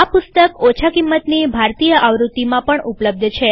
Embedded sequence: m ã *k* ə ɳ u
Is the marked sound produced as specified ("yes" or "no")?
no